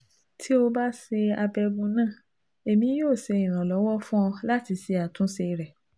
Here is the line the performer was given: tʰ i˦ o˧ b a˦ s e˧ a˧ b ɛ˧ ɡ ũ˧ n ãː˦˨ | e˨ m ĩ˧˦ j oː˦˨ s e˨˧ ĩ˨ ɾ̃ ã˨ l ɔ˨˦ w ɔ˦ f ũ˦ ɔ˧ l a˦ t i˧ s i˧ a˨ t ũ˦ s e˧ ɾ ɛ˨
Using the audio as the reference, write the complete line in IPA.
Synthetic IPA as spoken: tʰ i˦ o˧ b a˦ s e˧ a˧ b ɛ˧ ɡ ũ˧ n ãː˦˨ | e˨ m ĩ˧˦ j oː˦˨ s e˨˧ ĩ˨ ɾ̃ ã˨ l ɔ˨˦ w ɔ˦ f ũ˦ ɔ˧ l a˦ t i˧ s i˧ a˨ t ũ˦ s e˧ ɾ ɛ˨